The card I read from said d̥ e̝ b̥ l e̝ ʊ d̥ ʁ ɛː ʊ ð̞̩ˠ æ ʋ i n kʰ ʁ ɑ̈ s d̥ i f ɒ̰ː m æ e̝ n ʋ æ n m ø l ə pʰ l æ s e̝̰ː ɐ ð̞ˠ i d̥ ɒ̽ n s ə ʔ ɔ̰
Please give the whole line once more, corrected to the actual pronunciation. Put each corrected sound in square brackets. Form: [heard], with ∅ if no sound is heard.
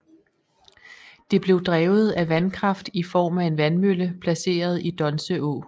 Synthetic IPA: d̥ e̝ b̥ l e̝ ʊ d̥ ʁ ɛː ʊ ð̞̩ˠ æ ʋ [æ] n kʰ ʁ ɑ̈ [f] d̥ i f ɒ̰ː m æ e̝ n ʋ æ n m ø l ə pʰ l æ s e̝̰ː ɐ ð̞ˠ i d̥ ɒ̽ n s ə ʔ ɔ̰